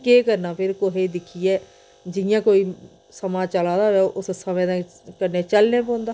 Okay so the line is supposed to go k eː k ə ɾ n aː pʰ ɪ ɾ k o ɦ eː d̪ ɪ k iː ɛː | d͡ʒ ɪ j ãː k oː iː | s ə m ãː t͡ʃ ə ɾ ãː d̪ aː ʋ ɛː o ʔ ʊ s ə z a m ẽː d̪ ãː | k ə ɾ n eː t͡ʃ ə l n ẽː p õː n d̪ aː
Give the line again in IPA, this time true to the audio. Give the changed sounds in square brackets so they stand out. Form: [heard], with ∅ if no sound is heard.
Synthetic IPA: k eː k ə ɾ n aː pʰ ɪ ɾ k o ɦ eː d̪ ɪ [kʰ] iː ɛː | d͡ʒ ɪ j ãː k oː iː | s ə m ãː t͡ʃ ə [l] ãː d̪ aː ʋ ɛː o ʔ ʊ s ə [s] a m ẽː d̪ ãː | k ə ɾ n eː t͡ʃ ə l n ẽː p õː n d̪ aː